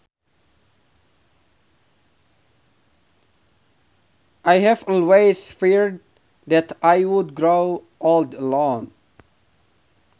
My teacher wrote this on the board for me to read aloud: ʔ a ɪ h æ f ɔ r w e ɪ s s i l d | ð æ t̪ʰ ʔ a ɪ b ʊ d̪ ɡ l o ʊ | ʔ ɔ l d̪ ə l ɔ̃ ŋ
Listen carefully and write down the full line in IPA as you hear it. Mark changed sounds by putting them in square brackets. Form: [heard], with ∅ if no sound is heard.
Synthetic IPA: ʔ a ɪ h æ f ɔ [l] w e ɪ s [f] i [ɹ] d | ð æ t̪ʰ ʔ a ɪ [w] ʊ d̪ ɡ [ɹ] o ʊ | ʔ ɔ l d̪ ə l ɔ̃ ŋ